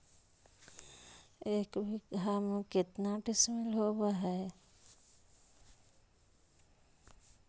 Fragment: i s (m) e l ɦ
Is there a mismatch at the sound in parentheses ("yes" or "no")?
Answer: no